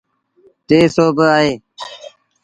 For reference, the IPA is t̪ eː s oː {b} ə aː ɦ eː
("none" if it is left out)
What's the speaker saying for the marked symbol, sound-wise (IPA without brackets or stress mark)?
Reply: b